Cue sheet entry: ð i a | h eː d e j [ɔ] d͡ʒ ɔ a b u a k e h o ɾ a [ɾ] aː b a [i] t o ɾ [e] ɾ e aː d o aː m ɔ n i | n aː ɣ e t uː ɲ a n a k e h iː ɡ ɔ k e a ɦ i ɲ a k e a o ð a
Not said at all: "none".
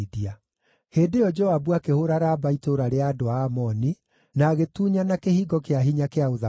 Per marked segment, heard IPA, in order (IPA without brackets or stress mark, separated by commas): ɔ, ɾ, i, a